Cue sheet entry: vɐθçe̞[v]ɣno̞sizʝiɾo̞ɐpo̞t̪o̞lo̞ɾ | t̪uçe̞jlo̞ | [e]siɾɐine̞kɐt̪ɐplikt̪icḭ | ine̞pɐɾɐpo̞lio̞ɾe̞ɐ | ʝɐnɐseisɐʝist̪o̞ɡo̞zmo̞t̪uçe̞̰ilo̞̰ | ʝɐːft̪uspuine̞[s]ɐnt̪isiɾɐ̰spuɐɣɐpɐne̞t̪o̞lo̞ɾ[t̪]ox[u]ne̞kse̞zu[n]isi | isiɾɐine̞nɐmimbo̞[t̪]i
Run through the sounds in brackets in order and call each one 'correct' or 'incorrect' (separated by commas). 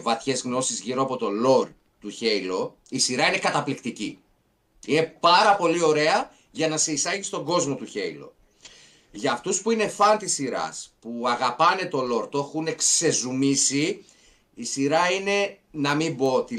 incorrect, incorrect, incorrect, correct, correct, incorrect, correct